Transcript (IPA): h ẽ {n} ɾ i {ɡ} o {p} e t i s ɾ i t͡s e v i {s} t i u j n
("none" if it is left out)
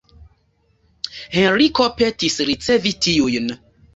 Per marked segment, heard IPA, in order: n, k, p, none

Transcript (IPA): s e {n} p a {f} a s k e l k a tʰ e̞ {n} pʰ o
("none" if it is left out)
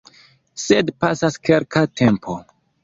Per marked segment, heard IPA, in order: d, s, m

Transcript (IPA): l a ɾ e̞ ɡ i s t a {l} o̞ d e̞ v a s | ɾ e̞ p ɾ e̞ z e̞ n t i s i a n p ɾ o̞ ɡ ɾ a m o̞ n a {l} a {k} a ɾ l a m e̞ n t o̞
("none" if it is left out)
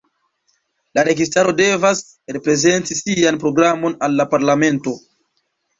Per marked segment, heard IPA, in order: ɾ, lː, p

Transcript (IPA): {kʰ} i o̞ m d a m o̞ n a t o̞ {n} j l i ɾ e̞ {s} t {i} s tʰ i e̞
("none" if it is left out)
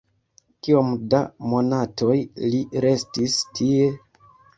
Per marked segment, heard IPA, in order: k, none, s, i

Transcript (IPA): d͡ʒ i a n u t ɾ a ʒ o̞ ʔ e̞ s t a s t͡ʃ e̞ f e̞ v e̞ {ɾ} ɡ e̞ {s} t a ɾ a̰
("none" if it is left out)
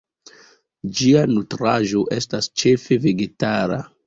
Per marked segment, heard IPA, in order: none, none

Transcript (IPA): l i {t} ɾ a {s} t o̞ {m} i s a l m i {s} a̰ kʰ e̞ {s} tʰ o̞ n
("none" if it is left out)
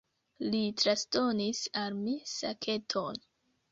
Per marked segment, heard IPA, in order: t, s, n, s, none

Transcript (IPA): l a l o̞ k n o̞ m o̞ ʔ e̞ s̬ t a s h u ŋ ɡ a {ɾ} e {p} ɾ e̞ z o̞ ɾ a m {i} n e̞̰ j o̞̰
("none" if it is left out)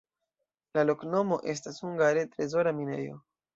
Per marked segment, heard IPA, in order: ɾ, t, i

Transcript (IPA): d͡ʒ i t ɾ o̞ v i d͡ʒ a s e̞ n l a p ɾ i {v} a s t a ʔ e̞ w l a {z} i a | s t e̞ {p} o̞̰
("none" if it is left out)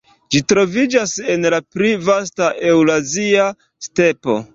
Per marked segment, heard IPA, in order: v, z, p

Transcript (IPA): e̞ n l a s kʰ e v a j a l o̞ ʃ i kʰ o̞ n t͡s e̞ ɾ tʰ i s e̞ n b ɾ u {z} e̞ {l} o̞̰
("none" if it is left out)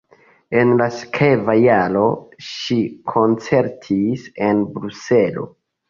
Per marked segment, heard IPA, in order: s, l

